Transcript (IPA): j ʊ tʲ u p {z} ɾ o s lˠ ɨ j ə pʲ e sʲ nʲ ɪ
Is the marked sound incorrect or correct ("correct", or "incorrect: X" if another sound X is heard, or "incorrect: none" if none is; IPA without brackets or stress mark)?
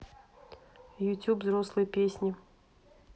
correct